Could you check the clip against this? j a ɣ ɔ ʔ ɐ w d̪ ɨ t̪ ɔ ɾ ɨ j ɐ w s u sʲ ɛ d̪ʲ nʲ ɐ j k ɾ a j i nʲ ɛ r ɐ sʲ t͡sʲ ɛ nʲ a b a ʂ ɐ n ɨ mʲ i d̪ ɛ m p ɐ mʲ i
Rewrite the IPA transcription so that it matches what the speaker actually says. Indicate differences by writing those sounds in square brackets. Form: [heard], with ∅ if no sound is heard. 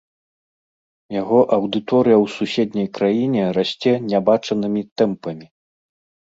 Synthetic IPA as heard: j a ɣ ɔ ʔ ɐ w d̪ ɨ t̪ ɔ ɾ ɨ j ɐ w s u sʲ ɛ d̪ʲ nʲ ɐ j k ɾ a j i nʲ ɛ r [a] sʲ t͡sʲ ɛ nʲ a b a [t͡ʂ] ɐ n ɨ mʲ i [t̪] ɛ m p ɐ mʲ i